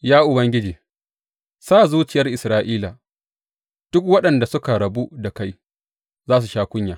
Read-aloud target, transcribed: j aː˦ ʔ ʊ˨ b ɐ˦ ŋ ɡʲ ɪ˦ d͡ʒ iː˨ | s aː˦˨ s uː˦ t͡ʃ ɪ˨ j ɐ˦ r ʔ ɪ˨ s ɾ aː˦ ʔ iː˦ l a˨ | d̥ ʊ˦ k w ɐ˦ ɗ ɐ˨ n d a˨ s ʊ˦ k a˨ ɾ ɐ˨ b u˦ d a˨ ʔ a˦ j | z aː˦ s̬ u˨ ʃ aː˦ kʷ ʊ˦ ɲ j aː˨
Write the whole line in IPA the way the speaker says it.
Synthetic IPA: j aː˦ ʔ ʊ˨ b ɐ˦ ŋ ɡʲ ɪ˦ d͡ʒ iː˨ | s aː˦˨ z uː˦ t͡ʃ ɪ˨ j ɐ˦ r ʔ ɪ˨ s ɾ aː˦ ʔ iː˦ l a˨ | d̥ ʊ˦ k w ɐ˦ ɗ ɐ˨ n d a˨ s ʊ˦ k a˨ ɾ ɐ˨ b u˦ d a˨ k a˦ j | z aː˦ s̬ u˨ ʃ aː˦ kʷ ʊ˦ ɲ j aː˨